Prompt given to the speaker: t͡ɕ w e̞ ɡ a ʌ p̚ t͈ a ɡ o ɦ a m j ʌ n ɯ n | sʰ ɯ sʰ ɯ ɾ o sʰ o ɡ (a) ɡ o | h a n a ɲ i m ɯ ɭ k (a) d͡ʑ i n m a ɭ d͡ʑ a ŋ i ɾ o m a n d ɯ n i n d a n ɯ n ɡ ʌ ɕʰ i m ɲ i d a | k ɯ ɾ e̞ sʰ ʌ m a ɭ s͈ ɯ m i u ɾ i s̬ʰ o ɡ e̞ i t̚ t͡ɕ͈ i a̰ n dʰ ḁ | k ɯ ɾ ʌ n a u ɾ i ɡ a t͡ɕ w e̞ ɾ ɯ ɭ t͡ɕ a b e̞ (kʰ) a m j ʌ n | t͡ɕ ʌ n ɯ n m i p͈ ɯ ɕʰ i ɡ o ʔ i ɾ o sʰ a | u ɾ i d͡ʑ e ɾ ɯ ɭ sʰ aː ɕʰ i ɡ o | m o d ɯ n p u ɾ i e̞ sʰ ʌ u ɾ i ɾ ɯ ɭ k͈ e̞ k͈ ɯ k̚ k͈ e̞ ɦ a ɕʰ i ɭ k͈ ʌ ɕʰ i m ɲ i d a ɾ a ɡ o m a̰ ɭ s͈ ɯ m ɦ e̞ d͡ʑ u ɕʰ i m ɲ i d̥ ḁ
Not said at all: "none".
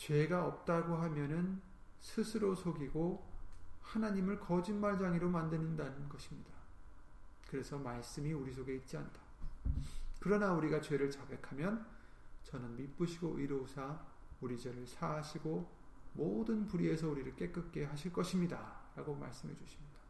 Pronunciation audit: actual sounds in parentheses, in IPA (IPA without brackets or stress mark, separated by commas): i, ʌ, kʰ